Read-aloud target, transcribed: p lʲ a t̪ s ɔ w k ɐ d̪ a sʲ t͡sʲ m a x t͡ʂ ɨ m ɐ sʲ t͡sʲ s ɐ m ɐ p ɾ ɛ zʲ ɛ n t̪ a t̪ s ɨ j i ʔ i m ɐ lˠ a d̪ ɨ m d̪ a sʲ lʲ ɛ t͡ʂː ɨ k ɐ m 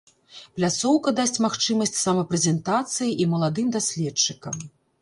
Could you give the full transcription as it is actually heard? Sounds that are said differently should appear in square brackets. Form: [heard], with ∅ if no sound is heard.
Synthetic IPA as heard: p lʲ a t̪ s ɔ w k ɐ d̪ a sʲ t͡sʲ m a x t͡ʂ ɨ m ɐ sʲ t͡sʲ s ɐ m ɐ p ɾ ɛ zʲ ɛ n t̪ a t̪ s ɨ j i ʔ i m ɐ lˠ a d̪ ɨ m d̪ a sʲ lʲ ɛ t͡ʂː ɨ k ɐ m